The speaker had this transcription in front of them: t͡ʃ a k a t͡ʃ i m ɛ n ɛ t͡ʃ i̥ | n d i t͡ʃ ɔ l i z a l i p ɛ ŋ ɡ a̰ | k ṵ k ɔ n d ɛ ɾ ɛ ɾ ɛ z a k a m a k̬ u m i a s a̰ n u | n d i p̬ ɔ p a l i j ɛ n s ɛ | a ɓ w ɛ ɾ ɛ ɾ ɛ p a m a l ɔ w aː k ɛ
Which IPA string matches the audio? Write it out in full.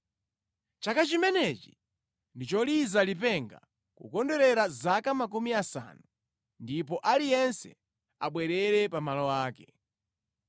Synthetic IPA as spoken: t͡ʃ a k a t͡ʃ i m ɛ n ɛ t͡ʃ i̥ | n d i t͡ʃ ɔ l i z a l i p ɛ ŋ ɡ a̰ | k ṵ k ɔ n d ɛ ɾ ɛ ɾ a z a k a m a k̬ u m i a s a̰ n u | n d i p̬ ɔ ʔ a l i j ɛ n s ɛ | a ɓ w ɛ ɾ ɛ ɾ ɛ p a m a l ɔ w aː k ɛ